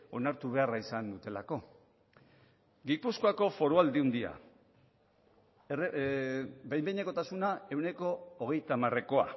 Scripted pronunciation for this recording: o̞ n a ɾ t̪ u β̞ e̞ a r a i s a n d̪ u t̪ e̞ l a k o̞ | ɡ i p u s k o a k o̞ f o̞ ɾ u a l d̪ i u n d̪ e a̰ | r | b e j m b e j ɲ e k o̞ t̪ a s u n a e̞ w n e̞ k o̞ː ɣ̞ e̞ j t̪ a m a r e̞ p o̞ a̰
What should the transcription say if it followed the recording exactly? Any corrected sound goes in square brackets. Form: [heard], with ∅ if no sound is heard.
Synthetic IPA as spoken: o̞ n a ɾ t̪ u β̞ e̞ a r a i s a n d̪ u t̪ e̞ l a k o̞ | ɡ i p u s k o a k o̞ f o̞ ɾ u a l d̪ i u n d̪ [i] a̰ | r | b e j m b e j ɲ e k o̞ t̪ a s u n a e̞ w n e̞ k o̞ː ɣ̞ e̞ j t̪ a m a r e̞ [k] o̞ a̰